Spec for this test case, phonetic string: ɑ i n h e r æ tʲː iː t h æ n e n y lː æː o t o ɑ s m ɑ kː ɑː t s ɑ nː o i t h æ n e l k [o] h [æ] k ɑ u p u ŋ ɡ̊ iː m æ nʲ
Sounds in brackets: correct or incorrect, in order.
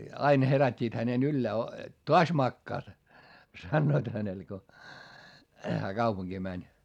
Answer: correct, incorrect: æː

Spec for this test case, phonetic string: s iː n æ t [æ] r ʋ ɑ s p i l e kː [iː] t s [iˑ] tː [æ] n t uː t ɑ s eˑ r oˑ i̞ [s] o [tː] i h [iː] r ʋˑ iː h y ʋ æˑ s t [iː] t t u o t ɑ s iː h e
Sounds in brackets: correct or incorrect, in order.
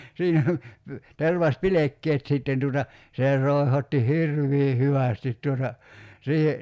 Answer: incorrect: e, incorrect: eː, correct, incorrect: e, incorrect: h, correct, incorrect: i, incorrect: i

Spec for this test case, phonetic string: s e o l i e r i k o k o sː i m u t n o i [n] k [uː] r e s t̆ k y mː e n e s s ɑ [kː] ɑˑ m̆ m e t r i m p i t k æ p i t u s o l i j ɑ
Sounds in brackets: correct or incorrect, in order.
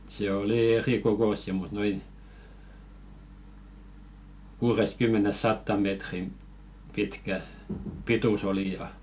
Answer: correct, correct, incorrect: tː

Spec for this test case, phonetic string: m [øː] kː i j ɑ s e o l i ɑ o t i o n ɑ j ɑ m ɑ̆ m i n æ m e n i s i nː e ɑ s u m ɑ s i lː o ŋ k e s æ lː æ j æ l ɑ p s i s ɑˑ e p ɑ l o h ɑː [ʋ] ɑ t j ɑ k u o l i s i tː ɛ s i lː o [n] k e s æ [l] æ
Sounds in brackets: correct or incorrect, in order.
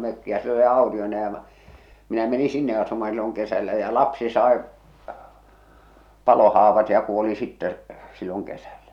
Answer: incorrect: ø, correct, incorrect: ŋ, incorrect: lː

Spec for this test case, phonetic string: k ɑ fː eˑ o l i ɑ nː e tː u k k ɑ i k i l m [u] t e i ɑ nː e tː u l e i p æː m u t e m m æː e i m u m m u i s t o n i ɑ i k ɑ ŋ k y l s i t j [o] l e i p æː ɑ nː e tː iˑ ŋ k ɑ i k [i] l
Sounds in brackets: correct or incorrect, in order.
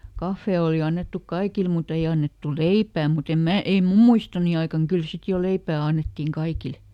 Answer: correct, correct, correct

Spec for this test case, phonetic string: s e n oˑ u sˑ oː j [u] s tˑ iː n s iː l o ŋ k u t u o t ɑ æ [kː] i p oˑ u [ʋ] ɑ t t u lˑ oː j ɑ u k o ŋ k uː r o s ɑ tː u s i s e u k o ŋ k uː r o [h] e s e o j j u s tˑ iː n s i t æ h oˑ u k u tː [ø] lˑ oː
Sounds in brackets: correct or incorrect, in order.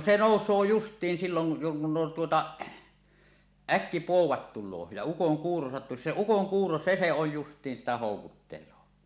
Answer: correct, correct, incorrect: w, incorrect: s, incorrect: e

